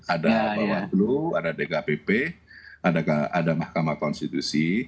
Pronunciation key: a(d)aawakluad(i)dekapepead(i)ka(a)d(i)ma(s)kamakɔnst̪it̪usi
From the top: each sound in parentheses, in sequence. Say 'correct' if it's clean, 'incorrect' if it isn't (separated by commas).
correct, incorrect, incorrect, correct, incorrect, incorrect